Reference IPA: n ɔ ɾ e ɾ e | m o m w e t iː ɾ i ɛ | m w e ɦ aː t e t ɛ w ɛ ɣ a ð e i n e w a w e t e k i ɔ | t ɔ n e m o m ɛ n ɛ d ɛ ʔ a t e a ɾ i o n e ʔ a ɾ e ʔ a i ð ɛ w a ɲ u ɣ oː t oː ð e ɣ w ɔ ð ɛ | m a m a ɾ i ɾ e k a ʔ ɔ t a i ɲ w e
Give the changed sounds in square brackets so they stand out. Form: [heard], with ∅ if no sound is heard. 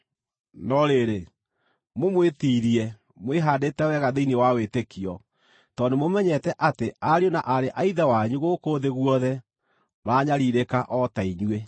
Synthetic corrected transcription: n ɔ ɾ e ɾ e | m o m w e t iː ɾ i ɛ | m w e ɦ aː [d] e t ɛ w ɛ ɣ a ð e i n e w a w e t e k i ɔ | t ɔ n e m o m ɛ [ɲ] ɛ [t] ɛ ʔ a t e a ɾ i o n [a] ʔ a ɾ e ʔ a i ð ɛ w a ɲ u ɣ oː [k] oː ð e ɣ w ɔ ð ɛ | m a [ɲ] a ɾ i ɾ e k a ʔ ɔ t a i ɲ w e